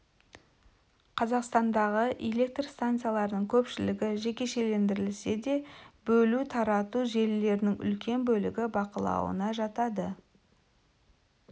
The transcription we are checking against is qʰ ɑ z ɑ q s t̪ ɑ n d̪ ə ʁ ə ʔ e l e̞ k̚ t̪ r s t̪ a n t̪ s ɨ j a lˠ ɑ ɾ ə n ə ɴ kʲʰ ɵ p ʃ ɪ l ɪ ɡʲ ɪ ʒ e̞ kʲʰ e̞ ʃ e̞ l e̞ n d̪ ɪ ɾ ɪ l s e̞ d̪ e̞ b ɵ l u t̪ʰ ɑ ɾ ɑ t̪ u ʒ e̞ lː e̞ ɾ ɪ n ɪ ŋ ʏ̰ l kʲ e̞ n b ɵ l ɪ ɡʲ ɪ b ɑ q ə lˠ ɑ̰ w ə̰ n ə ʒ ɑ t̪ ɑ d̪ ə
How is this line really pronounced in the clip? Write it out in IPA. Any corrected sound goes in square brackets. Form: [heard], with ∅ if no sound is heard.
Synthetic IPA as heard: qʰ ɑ z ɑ q s t̪ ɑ n d̪ [ɑ] ʁ ə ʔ e l e̞ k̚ t̪ r s t̪ a n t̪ s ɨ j a lˠ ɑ ɾ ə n ə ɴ kʲʰ ɵ p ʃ ɪ l ɪ ɡʲ ɪ ʒ e̞ [kʲ] e̞ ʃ e̞ l e̞ n d̪ ɪ ɾ ɪ l s e̞ d̪ e̞ b ɵ l u t̪ʰ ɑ ɾ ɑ t̪ u ʒ e̞ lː e̞ ɾ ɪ n ɪ ŋ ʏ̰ l kʲ e̞ n b ɵ l ɪ ɡʲ ɪ b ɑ q ə lˠ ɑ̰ w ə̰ n [ɑ] ʒ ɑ t̪ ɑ d̪ ə